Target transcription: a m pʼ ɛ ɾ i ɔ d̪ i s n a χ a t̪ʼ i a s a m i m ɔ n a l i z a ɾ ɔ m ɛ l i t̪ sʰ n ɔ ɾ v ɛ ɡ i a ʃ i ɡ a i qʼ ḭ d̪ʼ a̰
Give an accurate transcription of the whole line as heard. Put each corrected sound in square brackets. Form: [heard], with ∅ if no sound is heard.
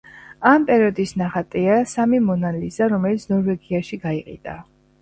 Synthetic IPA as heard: a m pʼ ɛ ɾ i ɔ d̪ i s n a χ a t̪ʼ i a s a m i m ɔ n a l i z a ɾ ɔ m ɛ l i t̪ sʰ n ɔ ɾ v ɛ ɡ i a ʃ i ɡ a i qʼ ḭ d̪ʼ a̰